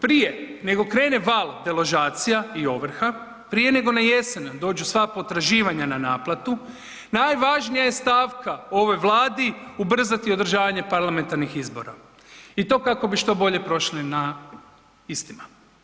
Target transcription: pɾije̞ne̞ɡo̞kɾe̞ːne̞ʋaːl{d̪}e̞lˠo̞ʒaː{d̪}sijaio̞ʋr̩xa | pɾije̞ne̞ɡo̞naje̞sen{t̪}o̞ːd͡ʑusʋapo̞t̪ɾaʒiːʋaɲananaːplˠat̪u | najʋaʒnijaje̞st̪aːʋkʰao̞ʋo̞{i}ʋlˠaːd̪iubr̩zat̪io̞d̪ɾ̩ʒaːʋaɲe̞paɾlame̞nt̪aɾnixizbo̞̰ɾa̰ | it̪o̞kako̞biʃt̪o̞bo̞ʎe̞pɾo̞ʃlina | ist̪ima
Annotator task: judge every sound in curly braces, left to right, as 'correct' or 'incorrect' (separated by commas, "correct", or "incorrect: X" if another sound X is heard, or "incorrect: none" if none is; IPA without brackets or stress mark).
correct, incorrect: t̪, incorrect: d̪, incorrect: j